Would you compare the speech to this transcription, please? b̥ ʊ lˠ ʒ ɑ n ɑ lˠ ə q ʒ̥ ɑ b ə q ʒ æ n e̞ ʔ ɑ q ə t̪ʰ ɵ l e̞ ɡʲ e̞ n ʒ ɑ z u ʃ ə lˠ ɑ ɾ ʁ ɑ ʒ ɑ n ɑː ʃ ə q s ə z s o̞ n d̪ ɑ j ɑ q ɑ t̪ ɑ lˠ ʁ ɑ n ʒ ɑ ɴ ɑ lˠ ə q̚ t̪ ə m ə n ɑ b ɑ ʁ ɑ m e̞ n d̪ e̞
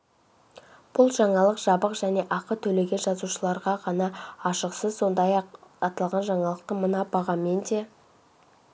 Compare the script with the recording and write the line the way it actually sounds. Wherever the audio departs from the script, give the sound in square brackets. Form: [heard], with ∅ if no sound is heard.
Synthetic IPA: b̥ ʊ lˠ ʒ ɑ [ɴ] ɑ lˠ ə q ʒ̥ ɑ b ə q ʒ æ n e̞ ʔ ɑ q ə t̪ʰ ɵ l e̞ ɡʲ e̞ n ʒ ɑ z u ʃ ə lˠ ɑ ɾ ʁ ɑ [ʁ] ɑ n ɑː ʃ ə q s ə z s o̞ n d̪ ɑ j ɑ q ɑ t̪ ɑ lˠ ʁ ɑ n ʒ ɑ ɴ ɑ lˠ ə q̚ t̪ ə m ə n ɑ b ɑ ʁ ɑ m e̞ n d̪ e̞